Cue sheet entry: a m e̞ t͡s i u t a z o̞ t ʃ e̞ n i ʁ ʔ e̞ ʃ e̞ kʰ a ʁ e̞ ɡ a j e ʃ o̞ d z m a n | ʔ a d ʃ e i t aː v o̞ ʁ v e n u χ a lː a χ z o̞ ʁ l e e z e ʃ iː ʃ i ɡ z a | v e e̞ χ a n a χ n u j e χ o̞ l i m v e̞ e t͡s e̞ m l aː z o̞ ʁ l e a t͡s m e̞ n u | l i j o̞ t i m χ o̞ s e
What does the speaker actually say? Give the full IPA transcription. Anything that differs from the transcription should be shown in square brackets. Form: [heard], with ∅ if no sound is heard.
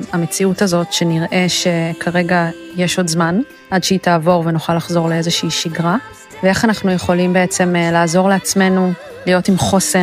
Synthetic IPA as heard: a m e̞ t͡s i u t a z o̞ t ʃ e̞ n i ʁ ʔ e̞ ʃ e̞ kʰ a ʁ e̞ ɡ a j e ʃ o̞ d z m a n | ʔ a d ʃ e i t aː v o̞ ʁ v e n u χ a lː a χ z o̞ ʁ l e e z e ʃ iː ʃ i ɡ [ʁ] a | v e e̞ χ a n a χ n u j e χ o̞ l i m [b] e̞ e t͡s e̞ m l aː z o̞ ʁ l e a t͡s m e̞ n u | l i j o̞ t i m χ o̞ s e